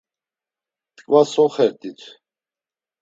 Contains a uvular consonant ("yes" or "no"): yes